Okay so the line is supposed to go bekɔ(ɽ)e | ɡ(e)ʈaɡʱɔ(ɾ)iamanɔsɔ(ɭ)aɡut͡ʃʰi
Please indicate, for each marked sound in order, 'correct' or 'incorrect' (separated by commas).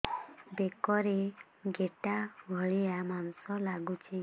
incorrect, correct, incorrect, incorrect